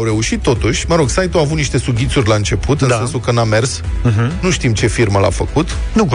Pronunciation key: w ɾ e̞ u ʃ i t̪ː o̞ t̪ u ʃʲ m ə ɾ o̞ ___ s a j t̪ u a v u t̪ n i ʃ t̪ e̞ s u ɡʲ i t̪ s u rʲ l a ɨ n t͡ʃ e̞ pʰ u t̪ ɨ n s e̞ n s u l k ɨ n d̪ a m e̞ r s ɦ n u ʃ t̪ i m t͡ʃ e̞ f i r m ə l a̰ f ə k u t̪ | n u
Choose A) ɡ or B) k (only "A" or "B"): A